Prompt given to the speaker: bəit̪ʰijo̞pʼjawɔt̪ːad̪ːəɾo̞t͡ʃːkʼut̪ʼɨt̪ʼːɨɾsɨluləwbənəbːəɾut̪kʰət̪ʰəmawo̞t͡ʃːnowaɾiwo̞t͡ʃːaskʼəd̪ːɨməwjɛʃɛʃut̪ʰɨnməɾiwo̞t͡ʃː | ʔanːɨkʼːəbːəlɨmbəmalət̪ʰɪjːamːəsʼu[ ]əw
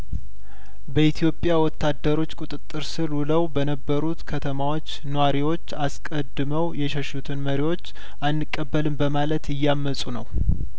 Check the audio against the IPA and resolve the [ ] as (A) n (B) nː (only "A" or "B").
A